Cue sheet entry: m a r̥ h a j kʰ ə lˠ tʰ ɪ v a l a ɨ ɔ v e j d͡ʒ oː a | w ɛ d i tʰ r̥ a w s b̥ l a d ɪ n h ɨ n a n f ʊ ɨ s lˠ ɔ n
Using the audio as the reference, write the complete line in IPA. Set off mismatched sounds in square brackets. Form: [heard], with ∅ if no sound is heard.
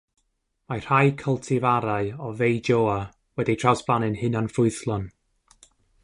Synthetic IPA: m a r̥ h a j kʰ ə lˠ tʰ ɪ v a [ɾ] a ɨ ɔ v e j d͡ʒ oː a | w ɛ d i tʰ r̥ a w s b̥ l a [n] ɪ n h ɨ n a n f ʊ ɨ [θ] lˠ ɔ n